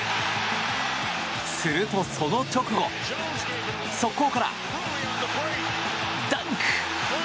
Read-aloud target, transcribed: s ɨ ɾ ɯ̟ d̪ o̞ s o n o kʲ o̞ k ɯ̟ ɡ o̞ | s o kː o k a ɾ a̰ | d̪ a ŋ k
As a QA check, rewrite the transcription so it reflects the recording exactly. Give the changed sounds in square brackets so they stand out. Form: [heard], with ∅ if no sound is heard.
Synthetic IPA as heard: s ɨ ɾ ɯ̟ [t̪] o̞ s o n o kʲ o̞ k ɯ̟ ɡ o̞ | s o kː o k a ɾ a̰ | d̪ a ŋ k